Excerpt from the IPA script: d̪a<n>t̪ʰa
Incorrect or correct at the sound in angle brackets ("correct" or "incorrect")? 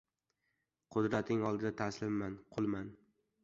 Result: incorrect